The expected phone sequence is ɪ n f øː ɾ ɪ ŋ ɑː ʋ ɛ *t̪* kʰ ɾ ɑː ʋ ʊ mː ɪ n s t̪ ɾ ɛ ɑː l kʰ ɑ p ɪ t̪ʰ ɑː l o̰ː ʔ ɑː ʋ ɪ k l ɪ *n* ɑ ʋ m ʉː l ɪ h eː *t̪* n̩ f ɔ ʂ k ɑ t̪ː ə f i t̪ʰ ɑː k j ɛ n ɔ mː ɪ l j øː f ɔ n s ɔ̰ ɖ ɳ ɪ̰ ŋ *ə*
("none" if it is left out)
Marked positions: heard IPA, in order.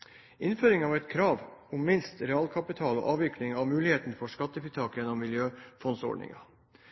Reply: t̪, ŋ, t̪, ɑ

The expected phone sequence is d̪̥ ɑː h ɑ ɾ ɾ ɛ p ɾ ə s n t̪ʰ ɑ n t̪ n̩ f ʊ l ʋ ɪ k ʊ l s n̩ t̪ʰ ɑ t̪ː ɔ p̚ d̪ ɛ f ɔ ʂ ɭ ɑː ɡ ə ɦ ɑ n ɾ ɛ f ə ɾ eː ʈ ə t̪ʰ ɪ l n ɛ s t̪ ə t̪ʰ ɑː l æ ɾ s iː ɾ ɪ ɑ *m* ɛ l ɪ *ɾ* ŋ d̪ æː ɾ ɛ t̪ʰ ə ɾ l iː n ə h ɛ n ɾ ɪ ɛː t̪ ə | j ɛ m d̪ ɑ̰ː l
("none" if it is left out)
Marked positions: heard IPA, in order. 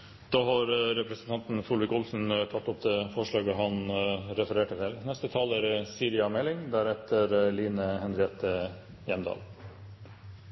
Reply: m, none

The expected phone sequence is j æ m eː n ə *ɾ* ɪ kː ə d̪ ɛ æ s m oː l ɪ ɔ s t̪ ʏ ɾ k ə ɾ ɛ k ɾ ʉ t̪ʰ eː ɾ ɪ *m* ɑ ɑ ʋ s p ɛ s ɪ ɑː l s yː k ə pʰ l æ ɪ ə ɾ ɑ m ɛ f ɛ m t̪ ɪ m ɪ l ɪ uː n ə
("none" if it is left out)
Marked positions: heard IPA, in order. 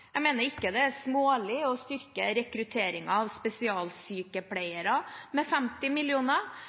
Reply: ɾ, ŋ

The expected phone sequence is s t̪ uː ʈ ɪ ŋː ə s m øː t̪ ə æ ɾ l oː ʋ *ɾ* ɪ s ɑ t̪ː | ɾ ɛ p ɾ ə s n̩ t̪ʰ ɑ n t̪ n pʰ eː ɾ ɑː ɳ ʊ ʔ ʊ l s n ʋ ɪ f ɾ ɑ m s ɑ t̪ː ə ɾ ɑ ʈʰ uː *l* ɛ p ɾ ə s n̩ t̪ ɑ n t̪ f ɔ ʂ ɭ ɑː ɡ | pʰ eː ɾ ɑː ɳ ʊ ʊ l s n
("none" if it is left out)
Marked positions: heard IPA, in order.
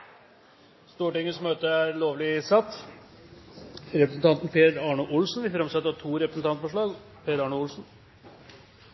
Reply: l, ɾ

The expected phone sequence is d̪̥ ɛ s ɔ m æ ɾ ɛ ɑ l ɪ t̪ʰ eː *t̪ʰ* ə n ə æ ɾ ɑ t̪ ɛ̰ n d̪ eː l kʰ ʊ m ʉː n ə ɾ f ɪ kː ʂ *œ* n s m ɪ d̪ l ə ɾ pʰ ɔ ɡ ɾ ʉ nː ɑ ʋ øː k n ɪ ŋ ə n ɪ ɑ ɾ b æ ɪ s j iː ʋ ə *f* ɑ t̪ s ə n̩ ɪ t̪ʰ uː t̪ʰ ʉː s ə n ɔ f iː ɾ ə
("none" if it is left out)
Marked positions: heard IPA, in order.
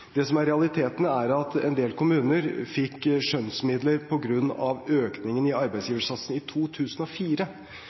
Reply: t̪, œ, ʂ

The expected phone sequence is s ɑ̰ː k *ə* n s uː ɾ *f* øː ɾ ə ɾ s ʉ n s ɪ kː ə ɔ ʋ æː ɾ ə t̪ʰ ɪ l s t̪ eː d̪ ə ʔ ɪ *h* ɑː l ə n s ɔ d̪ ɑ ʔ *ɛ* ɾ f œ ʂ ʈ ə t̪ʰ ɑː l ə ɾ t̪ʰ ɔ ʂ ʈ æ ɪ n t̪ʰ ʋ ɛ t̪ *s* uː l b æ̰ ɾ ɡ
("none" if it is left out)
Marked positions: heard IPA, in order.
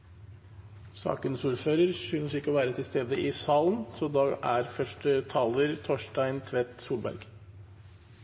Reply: ə, f, s, æ, s

